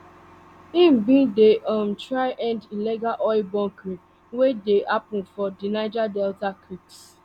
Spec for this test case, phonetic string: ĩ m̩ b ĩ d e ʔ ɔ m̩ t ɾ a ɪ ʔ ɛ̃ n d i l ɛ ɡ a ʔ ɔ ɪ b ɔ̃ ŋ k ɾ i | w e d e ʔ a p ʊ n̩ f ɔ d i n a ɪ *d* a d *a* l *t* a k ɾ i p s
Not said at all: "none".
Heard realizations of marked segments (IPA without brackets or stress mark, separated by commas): d͡ʒ, ɛ, t